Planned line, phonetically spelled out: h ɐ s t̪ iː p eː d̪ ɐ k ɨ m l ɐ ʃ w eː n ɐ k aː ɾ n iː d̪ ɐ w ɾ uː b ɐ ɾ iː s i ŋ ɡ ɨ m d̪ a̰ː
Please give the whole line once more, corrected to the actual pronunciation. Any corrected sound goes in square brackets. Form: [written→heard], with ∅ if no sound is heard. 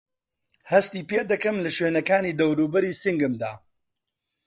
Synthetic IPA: h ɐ s t̪ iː p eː d̪ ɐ k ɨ m l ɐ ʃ w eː n ɐ k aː [ɾ→∅] n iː d̪ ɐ w ɾ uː b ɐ ɾ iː s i ŋ ɡ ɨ m d̪ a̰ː